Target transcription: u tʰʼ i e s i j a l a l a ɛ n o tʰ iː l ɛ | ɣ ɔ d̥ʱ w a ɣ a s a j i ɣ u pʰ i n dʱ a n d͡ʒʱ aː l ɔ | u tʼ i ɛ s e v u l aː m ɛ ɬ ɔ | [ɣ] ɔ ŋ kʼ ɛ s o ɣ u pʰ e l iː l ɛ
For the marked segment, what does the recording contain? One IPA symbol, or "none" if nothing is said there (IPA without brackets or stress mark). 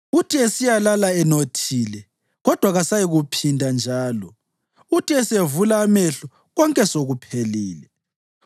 ɣ